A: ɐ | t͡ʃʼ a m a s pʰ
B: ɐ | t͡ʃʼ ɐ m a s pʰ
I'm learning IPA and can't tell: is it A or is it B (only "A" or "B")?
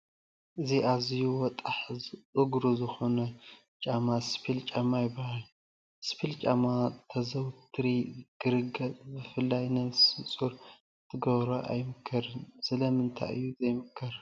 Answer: A